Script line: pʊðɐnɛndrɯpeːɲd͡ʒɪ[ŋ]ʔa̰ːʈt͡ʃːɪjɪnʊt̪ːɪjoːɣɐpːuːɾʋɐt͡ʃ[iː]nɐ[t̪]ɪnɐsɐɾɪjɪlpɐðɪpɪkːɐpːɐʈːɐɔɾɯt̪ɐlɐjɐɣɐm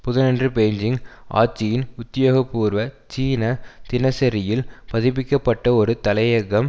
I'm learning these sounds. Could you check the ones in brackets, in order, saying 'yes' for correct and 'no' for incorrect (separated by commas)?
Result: yes, yes, yes